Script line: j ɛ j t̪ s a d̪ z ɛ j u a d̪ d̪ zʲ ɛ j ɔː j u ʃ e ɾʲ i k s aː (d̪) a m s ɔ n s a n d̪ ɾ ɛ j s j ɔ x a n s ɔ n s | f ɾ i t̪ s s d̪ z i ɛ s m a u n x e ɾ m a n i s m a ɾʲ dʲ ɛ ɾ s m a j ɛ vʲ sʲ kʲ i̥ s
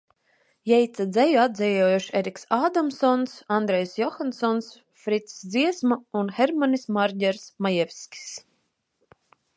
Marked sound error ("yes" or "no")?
no